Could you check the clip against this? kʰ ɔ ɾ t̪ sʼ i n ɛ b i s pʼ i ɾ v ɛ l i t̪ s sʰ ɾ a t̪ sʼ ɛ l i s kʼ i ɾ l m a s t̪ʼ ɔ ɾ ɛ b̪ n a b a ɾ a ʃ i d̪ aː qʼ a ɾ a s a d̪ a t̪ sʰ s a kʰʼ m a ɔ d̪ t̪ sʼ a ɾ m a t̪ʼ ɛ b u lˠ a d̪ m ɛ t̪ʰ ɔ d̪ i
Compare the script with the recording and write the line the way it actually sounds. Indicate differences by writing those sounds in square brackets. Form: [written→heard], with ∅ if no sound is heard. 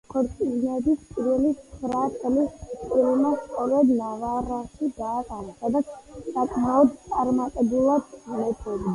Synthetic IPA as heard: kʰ ɔ ɾ t̪ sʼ i n ɛ b i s pʼ i ɾ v ɛ l i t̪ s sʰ ɾ a t̪ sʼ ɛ l i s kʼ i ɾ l m a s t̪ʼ ɔ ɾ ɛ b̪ n a [b→v] a ɾ a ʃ i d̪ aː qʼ a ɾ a s a d̪ a t̪ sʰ s a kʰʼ m a ɔ d̪ t̪ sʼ a ɾ m a t̪ʼ ɛ b u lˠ a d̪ m ɛ t̪ʰ ɔ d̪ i